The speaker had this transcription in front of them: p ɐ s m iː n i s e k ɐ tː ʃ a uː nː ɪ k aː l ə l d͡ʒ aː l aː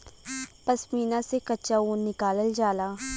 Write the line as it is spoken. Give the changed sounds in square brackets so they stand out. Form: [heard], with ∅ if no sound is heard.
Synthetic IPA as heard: p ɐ s m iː n [a] s e k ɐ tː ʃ a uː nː ɪ k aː l ə l d͡ʒ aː l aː

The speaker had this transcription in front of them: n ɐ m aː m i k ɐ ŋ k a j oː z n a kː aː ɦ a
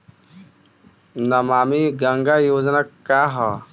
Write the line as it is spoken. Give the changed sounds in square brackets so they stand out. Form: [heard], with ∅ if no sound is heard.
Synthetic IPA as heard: n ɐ m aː m i [ɡ] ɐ ŋ [ɡ] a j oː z n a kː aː ɦ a

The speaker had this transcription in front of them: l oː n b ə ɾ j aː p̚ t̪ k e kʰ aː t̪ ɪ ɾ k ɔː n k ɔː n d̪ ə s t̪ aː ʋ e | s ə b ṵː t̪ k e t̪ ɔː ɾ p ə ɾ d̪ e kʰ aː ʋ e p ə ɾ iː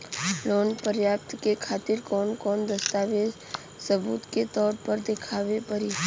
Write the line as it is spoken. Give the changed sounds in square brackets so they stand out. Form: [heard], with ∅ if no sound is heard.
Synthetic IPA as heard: l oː n [p] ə ɾ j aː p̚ t̪ k e kʰ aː t̪ ɪ ɾ k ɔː n k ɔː n d̪ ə s t̪ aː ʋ e | s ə b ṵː t̪ k e t̪ ɔː ɾ p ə ɾ d̪ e kʰ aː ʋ e p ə ɾ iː

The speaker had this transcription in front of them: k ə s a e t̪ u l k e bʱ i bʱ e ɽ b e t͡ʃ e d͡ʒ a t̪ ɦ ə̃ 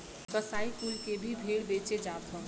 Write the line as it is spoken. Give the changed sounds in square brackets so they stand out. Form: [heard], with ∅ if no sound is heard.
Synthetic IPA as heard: k ə s a [i] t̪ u l k e bʱ i bʱ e ɽ b e t͡ʃ e d͡ʒ a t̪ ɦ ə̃

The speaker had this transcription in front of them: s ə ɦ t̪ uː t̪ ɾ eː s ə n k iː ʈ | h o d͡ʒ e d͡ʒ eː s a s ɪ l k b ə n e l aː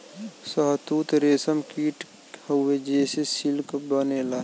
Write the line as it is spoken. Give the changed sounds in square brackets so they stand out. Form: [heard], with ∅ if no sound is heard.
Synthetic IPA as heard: s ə ɦ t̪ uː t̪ ɾ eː s ə [m] k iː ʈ | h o [∅] e d͡ʒ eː s [e] s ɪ l k b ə n e l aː

